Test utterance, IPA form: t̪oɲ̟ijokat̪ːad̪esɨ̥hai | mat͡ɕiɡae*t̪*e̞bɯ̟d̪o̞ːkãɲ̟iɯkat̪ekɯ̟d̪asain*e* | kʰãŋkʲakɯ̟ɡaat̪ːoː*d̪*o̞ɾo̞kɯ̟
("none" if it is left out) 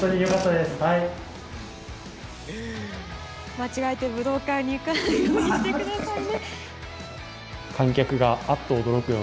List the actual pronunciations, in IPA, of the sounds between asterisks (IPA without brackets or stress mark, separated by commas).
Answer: t̪, e, d̪